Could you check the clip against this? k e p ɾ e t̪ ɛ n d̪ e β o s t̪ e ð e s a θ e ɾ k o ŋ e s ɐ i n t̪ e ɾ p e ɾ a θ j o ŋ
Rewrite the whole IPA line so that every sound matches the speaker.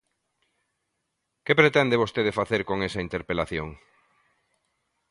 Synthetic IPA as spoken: k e p ɾ e t̪ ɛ n d̪ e β o s t̪ e ð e f a θ e ɾ k o ŋ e s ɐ i n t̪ e ɾ p e l a θ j o ŋ